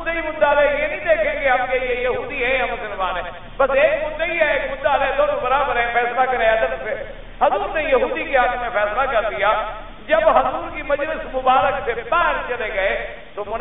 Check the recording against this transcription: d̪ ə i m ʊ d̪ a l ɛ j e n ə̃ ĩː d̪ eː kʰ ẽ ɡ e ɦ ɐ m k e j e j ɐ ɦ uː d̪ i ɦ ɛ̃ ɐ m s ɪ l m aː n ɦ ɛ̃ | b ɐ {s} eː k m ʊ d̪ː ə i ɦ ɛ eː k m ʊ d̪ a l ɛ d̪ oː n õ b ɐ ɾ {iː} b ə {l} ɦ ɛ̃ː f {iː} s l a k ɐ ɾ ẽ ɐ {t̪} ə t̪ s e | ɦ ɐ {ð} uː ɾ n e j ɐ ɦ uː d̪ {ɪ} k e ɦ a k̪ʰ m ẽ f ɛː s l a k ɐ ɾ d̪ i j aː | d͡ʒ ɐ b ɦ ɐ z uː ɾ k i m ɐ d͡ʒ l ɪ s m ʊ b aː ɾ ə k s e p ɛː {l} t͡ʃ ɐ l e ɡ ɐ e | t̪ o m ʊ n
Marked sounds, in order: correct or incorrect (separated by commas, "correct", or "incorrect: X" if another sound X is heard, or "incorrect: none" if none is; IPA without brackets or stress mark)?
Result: correct, incorrect: aː, incorrect: ɾ, incorrect: ɛː, incorrect: d̪, incorrect: z, incorrect: i, incorrect: ɾ